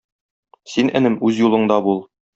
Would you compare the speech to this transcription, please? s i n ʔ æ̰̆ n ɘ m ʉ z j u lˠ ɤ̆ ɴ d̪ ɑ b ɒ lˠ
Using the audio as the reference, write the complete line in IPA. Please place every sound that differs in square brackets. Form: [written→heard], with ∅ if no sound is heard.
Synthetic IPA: s i n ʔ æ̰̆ n ɘ m ʉ z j u lˠ ɤ̆ ɴ d̪ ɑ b [ɒ→u] lˠ